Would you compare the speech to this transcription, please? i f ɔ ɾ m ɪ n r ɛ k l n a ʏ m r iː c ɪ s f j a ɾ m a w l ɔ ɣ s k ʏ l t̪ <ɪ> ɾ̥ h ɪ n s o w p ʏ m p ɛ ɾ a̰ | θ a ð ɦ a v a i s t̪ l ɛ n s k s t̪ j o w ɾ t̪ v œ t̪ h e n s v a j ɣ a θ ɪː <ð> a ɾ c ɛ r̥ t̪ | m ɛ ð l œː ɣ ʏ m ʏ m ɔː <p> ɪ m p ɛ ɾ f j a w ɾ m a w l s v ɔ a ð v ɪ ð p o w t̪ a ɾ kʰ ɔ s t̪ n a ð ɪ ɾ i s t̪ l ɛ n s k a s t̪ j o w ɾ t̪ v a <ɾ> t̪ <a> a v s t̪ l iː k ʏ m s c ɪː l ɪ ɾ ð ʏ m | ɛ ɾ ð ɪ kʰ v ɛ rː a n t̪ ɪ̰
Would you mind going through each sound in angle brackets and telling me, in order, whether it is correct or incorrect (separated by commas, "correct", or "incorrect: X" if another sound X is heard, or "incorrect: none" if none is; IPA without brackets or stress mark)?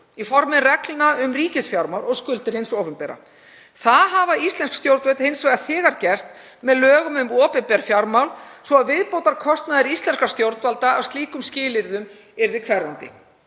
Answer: correct, incorrect: ɣ, correct, incorrect: l, correct